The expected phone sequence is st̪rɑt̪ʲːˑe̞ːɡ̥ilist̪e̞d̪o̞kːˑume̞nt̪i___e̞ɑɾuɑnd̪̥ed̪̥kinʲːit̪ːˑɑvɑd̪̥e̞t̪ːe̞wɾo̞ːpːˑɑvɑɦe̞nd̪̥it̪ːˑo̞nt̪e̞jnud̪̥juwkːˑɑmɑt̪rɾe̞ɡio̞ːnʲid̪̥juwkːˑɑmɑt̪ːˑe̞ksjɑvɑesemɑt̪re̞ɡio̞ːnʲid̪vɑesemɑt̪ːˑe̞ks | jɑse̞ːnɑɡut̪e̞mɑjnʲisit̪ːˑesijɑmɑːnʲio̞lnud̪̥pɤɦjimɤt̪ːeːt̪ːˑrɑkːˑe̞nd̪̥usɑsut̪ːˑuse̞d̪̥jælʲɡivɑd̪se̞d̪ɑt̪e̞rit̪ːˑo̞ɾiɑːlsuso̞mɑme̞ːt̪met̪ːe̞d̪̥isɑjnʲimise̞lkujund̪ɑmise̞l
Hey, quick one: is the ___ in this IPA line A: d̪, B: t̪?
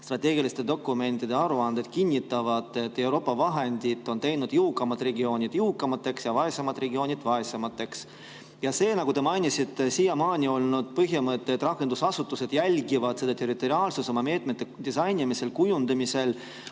A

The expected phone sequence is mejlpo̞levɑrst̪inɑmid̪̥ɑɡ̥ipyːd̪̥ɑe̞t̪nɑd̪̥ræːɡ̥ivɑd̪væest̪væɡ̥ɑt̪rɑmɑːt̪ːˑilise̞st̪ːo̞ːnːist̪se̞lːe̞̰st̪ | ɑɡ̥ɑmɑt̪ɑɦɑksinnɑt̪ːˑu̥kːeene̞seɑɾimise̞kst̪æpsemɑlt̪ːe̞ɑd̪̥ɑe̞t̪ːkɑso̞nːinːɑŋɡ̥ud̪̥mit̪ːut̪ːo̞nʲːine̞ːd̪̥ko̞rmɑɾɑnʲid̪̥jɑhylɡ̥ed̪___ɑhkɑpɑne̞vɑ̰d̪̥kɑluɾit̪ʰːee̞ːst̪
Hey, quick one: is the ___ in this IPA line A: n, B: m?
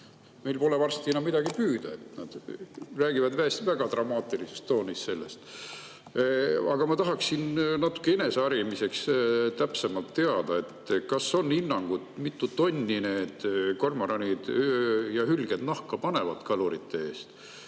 A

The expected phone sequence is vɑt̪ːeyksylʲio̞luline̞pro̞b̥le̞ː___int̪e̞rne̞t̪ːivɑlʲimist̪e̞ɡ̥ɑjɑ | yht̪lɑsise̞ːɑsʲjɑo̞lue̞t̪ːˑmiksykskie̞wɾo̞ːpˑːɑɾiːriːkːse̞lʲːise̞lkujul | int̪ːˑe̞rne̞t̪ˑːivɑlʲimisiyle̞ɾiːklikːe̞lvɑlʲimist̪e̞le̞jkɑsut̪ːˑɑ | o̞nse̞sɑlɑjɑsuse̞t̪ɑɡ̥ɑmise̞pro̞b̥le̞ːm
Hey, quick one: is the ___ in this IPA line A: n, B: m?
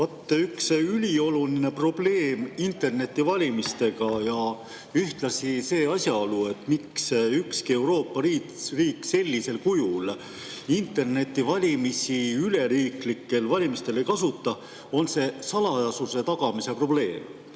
B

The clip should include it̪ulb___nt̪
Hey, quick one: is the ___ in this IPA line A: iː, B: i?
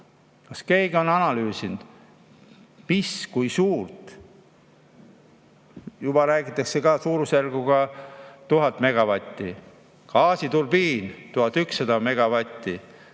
A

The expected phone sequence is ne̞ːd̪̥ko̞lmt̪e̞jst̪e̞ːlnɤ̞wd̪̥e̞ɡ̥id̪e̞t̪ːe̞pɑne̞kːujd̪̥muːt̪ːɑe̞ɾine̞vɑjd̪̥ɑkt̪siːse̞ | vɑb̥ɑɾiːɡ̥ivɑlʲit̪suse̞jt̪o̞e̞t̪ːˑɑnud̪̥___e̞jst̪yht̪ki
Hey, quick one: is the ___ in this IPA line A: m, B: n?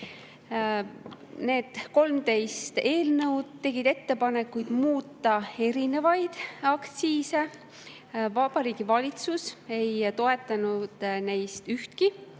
B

